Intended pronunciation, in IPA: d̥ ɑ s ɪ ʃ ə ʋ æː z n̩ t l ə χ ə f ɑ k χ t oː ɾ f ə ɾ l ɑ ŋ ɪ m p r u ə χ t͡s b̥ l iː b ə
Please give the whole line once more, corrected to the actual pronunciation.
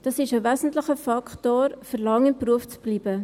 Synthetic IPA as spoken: d̥ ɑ s ɪ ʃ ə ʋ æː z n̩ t l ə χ ə f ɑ k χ t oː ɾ f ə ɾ l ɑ ŋ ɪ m p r u ə f t͡s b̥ l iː b ə